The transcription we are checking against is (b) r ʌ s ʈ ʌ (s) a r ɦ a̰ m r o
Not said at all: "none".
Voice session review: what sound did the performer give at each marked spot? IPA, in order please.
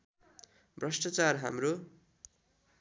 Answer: b, t͡s

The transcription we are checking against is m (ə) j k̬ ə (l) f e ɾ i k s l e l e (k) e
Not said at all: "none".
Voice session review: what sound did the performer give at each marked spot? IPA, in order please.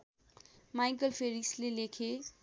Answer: a, l, kʰ

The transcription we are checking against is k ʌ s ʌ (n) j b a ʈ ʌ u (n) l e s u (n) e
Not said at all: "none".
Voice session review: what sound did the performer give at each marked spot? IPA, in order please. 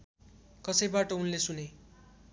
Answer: none, n, n

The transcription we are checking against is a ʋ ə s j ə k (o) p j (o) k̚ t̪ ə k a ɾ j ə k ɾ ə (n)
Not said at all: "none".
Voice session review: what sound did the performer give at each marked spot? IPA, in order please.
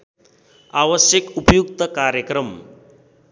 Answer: u, u, m

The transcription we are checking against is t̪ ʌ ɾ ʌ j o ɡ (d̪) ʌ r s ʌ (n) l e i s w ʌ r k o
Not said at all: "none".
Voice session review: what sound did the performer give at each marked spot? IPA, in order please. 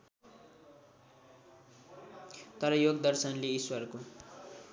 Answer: d̪, n

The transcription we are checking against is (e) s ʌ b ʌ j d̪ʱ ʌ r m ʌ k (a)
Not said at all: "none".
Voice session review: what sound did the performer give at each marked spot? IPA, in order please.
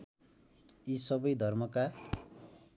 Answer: i, a

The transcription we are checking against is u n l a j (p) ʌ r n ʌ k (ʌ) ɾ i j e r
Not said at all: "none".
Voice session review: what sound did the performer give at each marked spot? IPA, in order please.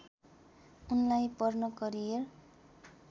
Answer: p, ʌ

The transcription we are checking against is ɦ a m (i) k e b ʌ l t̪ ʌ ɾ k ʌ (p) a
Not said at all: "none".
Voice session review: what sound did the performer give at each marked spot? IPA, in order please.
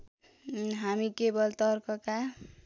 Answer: i, k

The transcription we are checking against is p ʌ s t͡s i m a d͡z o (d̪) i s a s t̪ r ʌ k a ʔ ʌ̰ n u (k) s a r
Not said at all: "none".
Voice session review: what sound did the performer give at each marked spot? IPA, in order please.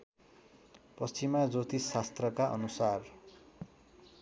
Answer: t̪, none

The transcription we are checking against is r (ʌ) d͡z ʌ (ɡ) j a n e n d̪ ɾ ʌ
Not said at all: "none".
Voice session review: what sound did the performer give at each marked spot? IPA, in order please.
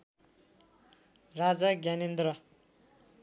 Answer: a, ɡ

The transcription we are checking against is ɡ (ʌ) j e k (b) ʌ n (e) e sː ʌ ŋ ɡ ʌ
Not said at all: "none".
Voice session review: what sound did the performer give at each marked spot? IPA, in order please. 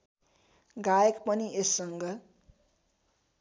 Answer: a, p, i

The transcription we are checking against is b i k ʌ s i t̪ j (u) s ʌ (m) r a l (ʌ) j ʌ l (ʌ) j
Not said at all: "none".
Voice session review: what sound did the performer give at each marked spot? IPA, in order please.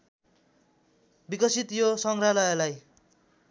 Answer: o, ŋ, ʌ, a

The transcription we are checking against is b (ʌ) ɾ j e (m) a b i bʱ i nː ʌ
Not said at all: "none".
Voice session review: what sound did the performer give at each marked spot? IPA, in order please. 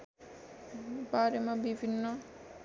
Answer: a, m

